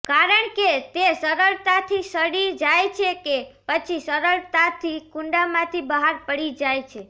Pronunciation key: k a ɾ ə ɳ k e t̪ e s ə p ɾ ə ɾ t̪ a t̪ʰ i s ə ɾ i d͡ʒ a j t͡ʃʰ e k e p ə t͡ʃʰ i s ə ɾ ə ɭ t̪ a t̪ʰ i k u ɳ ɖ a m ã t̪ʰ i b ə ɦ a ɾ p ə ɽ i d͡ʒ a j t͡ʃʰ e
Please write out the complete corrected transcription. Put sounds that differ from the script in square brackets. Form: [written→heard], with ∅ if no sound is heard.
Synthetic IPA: k a ɾ ə ɳ k e t̪ e s ə [p→∅] ɾ ə [ɾ→ɭ] t̪ a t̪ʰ i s ə [ɾ→ɽ] i d͡ʒ a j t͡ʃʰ e k e p ə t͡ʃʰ i s ə ɾ ə ɭ t̪ a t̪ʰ i k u ɳ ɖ a m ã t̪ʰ i b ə ɦ a ɾ p ə ɽ i d͡ʒ a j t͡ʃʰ e